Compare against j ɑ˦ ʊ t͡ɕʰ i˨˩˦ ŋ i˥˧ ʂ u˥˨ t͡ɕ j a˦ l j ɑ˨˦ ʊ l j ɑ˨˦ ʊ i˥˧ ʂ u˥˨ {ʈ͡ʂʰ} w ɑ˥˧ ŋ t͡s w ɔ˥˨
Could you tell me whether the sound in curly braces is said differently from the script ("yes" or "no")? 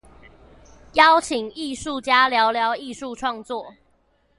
no